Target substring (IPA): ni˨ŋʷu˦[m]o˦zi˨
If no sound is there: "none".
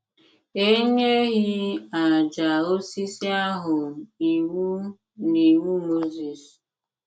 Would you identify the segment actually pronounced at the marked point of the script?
m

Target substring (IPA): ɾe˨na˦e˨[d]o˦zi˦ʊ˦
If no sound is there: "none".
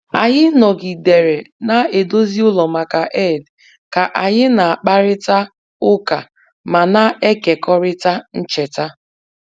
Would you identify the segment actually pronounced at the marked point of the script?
d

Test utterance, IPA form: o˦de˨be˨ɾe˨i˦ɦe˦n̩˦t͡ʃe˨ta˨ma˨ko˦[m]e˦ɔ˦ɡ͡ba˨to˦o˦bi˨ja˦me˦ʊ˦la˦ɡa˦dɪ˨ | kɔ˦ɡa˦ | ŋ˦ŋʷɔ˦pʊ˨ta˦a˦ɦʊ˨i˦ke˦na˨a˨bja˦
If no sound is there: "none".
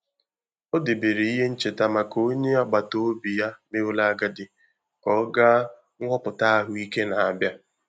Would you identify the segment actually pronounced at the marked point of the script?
ɲ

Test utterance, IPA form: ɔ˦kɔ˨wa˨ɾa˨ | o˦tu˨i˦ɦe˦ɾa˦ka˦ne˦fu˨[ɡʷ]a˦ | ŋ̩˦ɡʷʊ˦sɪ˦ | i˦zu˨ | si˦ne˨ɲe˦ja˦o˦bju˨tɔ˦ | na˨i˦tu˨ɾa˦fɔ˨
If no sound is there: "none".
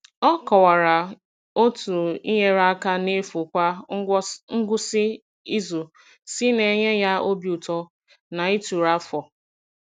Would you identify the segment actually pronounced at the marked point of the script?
kʷ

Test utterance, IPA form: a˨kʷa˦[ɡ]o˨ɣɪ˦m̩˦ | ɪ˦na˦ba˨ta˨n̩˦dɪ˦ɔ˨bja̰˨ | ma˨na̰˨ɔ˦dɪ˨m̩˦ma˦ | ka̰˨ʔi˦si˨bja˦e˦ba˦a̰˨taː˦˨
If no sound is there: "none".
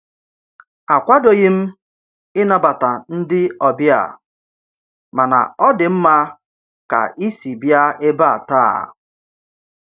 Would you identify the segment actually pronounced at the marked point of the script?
d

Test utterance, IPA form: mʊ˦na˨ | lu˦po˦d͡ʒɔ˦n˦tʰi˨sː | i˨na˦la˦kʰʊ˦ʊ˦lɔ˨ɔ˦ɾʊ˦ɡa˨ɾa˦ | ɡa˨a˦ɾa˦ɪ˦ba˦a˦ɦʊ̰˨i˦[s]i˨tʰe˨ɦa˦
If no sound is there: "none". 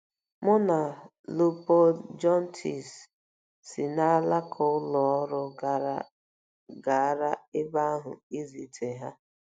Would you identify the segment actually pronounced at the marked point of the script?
z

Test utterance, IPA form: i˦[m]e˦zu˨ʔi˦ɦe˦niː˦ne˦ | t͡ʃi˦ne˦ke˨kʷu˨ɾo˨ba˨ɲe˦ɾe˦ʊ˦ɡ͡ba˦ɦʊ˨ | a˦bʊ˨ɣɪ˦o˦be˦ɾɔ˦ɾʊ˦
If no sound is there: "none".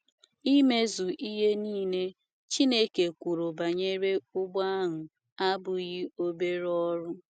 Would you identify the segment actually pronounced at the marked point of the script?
m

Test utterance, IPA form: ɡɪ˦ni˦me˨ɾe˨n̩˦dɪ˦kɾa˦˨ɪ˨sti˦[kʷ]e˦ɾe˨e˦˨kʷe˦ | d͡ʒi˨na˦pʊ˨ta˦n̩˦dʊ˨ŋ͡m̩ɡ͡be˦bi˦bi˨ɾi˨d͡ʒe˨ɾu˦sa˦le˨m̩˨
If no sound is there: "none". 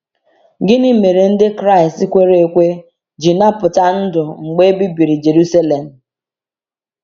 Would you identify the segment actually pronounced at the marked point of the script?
kʷ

